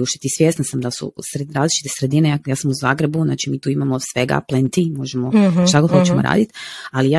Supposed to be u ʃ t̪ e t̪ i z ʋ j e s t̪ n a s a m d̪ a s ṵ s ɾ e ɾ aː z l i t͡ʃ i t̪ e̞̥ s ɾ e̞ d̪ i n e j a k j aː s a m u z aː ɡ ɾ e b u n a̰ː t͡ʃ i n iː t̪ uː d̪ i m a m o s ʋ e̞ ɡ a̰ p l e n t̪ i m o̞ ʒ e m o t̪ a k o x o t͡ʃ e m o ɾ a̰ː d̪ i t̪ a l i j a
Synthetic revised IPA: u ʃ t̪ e t̪ i s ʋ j e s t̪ n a s a m d̪ a s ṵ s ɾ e ɾ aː z l i t͡ʃ i t̪ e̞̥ s ɾ e̞ d̪ i n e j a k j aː s a m u z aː ɡ ɾ e b u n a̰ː t͡ʃ i m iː t̪ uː i m a m o s ʋ e̞ ɡ a̰ p l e n t̪ i m o̞ ʒ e m o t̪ a k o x o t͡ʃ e m o ɾ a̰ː d̪ i t̪ a l i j a